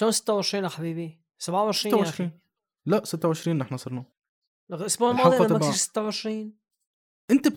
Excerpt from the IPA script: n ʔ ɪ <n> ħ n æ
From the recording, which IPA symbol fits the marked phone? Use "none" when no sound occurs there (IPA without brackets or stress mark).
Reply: none